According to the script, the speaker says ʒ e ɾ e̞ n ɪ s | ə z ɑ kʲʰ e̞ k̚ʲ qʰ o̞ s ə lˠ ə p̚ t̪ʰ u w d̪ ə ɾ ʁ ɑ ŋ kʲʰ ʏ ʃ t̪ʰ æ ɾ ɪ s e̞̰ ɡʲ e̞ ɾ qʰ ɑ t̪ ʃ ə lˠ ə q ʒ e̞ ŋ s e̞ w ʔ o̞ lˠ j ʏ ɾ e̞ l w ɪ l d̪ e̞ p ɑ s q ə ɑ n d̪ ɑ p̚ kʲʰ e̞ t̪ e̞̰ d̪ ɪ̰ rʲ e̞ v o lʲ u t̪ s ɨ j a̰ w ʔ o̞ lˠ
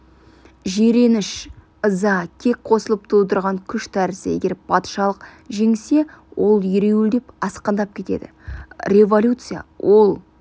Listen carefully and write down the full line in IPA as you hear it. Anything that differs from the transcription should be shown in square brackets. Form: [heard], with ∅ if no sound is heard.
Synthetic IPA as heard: ʒ e ɾ e̞ n ɪ [ʃ] | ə z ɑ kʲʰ e̞ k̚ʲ qʰ o̞ s ə lˠ ə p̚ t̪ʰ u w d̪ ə ɾ ʁ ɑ ŋ kʲʰ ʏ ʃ t̪ʰ æ ɾ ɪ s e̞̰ ɡʲ e̞ ɾ [pʰ] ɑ t̪ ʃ [ɑ] lˠ ə q ʒ e̞ ŋ s e̞ w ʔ o̞ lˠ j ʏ ɾ e̞ [∅] w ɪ l d̪ e̞ p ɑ s q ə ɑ n d̪ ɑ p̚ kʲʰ e̞ t̪ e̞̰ d̪ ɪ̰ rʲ e̞ v o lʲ u t̪ s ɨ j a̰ w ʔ o̞ lˠ